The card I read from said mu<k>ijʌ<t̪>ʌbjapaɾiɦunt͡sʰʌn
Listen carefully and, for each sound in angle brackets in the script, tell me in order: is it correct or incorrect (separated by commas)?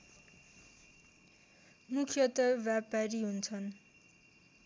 incorrect, correct